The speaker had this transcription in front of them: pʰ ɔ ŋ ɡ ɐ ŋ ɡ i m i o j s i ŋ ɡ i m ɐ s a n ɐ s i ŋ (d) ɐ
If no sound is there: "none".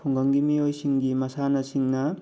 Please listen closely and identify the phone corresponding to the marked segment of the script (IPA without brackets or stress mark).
n